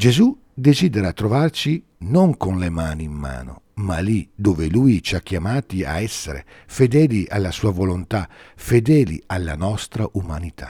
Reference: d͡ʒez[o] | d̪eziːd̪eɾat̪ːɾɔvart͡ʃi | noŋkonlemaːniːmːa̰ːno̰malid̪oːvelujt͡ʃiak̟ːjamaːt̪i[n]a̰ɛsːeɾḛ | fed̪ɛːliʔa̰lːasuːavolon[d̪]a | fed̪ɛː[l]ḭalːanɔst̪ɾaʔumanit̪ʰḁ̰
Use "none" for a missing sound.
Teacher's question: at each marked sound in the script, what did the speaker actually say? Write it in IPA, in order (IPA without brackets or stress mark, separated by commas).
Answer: u, none, t̪, l